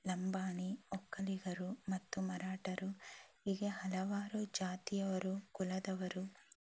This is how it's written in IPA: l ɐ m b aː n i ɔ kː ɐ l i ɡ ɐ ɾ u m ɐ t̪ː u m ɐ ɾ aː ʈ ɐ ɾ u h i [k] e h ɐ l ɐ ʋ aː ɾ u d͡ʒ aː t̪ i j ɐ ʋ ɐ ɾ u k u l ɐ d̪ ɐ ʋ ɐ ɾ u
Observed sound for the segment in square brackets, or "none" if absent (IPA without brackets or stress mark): ɡ